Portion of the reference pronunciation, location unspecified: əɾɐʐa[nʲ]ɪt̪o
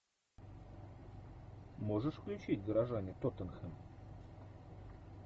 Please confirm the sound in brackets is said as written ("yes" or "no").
yes